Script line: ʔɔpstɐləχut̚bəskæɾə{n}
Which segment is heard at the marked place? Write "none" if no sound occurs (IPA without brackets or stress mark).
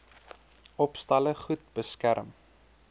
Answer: m